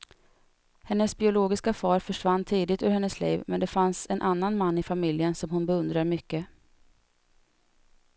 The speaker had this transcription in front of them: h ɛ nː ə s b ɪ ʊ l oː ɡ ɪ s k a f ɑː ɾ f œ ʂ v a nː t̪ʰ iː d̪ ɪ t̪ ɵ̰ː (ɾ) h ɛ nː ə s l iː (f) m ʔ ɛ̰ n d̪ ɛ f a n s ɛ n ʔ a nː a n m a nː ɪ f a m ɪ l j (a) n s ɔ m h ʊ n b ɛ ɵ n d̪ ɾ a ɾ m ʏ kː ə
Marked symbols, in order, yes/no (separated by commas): yes, no, no